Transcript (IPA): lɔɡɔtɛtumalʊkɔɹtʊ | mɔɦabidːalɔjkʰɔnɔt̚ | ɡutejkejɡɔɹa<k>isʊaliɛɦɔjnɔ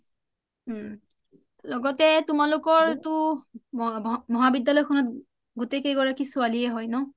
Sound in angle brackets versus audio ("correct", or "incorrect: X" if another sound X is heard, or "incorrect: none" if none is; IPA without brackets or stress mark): correct